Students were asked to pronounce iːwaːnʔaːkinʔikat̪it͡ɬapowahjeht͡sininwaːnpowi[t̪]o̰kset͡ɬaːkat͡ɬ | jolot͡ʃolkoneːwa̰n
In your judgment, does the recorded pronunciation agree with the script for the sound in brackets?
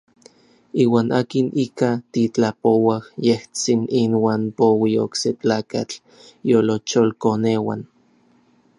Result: no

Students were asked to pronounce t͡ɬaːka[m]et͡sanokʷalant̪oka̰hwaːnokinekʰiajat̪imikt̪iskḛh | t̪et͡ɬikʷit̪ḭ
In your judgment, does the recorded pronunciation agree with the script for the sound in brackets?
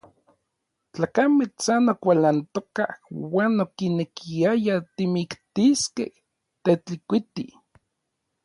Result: yes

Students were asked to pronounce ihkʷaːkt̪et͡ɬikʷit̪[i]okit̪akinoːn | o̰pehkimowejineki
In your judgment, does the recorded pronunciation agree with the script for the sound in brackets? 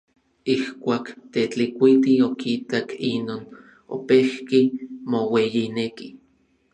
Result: yes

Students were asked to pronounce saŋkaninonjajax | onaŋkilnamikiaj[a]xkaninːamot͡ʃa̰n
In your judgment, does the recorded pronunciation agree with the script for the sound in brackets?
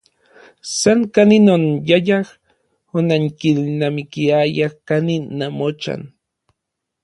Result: yes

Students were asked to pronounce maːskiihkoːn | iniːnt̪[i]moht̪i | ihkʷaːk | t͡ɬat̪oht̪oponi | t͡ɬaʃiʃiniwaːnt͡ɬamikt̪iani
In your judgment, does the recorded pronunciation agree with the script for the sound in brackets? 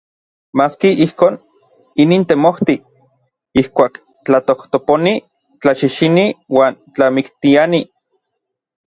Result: no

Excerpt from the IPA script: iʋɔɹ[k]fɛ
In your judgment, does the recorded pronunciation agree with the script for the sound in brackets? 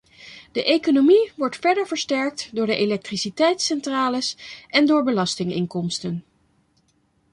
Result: no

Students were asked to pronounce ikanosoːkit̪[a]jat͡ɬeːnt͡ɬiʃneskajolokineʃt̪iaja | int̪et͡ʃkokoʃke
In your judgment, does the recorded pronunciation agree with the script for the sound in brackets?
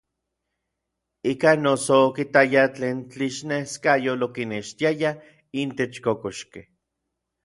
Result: yes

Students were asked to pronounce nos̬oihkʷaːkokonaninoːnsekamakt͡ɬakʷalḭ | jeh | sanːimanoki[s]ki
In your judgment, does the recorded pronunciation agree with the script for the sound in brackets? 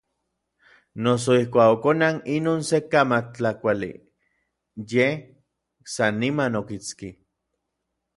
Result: no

